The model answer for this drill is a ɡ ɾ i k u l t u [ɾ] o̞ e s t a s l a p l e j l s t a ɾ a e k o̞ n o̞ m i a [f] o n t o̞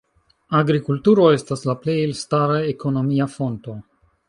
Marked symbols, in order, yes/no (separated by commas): yes, yes